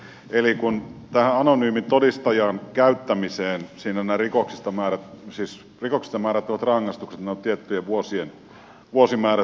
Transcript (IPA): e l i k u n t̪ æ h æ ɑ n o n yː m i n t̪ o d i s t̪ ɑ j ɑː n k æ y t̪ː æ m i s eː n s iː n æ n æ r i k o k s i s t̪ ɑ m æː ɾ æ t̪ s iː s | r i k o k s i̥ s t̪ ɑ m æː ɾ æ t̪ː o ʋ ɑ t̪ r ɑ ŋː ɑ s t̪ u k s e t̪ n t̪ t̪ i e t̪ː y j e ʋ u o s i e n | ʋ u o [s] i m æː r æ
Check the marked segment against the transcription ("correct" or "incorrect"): correct